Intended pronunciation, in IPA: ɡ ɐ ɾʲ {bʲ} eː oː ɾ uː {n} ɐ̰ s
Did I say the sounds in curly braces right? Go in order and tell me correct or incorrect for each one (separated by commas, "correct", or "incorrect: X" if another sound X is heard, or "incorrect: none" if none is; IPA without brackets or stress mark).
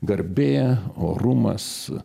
correct, incorrect: m